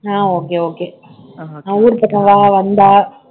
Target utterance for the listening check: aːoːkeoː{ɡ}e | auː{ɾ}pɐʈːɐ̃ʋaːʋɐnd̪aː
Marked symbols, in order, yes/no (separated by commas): no, yes